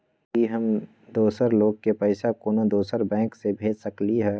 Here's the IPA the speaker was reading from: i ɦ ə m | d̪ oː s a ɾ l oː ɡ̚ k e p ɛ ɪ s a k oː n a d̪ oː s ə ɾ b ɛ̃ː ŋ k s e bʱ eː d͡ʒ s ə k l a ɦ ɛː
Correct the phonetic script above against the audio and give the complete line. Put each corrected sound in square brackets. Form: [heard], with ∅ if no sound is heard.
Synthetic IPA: i ɦ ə m | d̪ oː s [ə] ɾ l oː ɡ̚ k e p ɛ ɪ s a k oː n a d̪ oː s ə ɾ b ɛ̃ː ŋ k s e bʱ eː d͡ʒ s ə k l [i] ɦ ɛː